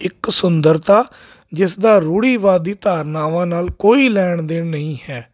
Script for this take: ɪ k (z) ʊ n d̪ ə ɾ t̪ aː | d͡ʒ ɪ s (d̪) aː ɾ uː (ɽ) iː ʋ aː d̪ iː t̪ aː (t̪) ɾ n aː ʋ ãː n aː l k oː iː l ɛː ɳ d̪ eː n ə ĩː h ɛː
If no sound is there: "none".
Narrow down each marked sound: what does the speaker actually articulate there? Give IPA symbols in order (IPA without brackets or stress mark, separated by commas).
s, d̪, ɽ, none